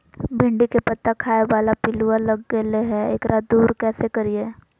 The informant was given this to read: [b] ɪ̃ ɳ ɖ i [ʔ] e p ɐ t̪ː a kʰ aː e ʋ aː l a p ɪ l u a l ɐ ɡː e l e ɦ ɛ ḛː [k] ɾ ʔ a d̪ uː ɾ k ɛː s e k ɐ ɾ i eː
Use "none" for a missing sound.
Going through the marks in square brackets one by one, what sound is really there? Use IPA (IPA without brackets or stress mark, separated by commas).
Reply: b, k, k